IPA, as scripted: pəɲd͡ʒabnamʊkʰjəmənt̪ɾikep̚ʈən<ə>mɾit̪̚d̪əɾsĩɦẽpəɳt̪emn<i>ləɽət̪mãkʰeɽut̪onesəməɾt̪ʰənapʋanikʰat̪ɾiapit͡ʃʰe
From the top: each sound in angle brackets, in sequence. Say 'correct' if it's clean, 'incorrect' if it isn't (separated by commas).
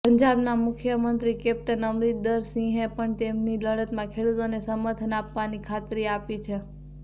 correct, correct